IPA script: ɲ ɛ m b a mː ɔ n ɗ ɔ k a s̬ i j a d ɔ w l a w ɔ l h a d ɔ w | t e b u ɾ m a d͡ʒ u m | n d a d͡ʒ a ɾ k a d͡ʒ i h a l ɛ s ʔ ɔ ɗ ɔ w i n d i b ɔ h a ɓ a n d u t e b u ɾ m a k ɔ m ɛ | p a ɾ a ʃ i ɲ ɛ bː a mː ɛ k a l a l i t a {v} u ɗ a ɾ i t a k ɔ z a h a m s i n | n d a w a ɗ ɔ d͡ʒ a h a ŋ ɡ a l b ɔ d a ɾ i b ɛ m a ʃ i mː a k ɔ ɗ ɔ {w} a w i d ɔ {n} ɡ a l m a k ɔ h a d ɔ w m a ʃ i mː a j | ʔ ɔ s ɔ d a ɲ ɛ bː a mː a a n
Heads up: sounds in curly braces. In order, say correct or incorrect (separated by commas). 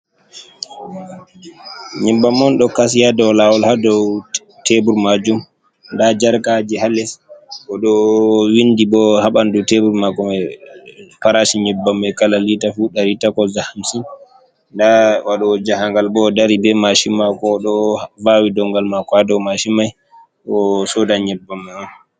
incorrect, incorrect, incorrect